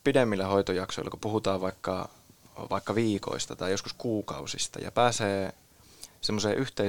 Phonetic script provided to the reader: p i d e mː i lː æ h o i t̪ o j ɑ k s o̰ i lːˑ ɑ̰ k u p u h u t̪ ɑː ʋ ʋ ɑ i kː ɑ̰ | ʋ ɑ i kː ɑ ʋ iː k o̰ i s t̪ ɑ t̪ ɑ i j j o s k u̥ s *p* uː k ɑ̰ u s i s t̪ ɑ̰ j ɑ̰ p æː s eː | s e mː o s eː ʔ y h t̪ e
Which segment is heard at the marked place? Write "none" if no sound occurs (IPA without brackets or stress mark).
k